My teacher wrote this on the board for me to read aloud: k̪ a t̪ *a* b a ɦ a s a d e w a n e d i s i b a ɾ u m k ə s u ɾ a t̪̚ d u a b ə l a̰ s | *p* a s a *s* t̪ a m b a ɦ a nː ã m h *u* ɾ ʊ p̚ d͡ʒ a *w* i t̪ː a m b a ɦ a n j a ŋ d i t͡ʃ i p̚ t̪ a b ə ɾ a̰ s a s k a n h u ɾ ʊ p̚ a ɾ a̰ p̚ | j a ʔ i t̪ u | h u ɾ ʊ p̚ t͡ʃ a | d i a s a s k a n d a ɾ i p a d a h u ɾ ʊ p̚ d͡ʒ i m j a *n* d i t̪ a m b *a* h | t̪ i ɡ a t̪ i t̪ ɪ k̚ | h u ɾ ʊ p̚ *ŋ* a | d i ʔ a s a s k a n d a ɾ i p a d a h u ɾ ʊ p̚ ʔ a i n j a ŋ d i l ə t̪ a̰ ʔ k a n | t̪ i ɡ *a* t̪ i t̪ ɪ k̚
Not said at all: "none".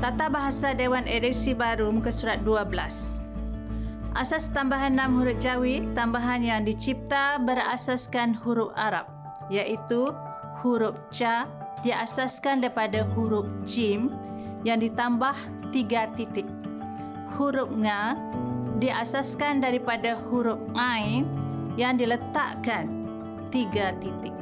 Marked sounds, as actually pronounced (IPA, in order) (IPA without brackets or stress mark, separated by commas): a, ʔ, s, u, w, ŋ, a, ŋ, a